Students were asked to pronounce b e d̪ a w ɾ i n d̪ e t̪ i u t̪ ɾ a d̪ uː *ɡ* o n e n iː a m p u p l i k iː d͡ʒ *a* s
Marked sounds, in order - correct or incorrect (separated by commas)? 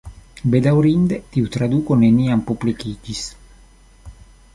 incorrect, incorrect